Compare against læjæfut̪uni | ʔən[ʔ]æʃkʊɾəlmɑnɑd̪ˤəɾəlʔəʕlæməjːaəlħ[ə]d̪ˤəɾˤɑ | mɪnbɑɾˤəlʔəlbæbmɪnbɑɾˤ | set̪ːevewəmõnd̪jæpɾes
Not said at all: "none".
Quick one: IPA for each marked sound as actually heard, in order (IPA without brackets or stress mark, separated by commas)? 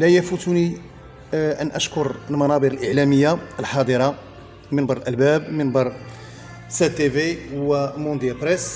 ʔ, ɑ